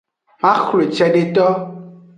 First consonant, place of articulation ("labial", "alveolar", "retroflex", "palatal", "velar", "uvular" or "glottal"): labial